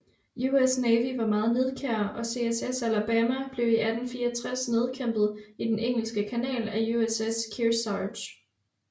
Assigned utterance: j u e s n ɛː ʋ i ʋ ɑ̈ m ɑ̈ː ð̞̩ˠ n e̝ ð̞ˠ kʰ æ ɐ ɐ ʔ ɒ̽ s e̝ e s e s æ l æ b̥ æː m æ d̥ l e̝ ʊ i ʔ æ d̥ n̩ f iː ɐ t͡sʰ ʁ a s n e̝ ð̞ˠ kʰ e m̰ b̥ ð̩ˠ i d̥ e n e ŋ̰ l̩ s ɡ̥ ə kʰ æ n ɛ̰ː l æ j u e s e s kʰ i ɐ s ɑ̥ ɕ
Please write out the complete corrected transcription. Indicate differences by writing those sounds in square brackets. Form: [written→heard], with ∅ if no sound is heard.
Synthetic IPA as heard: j u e s n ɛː ʋ i ʋ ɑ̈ m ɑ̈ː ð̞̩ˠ n e̝ ð̞ˠ kʰ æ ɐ ɐ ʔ ɒ̽ s e̝ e s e s æ l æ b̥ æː m æ [d̥→b̥] l e̝ ʊ i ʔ æ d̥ n̩ f iː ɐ t͡sʰ ʁ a s n e̝ ð̞ˠ kʰ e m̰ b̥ ð̩ˠ i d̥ e n e ŋ̰ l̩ s ɡ̥ ə kʰ æ n ɛ̰ː l æ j u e s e s kʰ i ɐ s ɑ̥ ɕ